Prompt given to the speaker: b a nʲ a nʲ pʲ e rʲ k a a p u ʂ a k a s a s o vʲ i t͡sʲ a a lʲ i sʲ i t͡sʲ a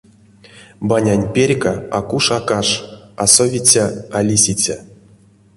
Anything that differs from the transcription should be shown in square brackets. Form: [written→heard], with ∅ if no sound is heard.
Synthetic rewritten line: b a nʲ a nʲ pʲ e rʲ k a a [p→k] u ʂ a k a [s→ʂ] a s o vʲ i t͡sʲ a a lʲ i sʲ i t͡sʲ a